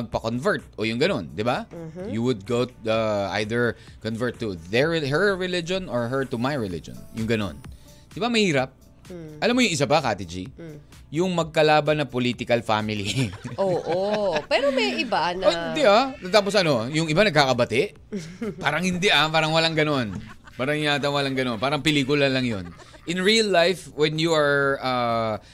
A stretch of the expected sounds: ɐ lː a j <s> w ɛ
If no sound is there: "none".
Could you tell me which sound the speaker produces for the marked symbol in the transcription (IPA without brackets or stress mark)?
f